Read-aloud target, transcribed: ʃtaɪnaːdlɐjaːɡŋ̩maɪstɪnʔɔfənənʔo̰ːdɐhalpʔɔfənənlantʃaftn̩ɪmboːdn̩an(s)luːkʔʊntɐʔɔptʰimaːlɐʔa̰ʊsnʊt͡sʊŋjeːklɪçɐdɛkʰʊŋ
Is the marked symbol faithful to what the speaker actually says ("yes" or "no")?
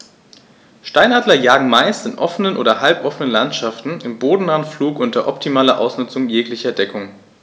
no